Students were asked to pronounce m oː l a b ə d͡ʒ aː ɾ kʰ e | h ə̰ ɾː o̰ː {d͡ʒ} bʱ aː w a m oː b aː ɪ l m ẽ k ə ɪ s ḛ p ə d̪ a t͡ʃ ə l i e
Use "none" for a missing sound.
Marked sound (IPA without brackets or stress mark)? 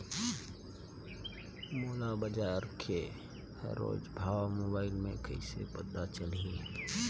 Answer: d͡ʒ